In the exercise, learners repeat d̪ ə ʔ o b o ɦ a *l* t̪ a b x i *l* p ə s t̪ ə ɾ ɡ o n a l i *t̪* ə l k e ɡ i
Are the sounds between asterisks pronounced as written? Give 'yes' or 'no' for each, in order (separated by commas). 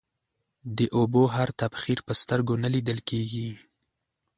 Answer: no, no, no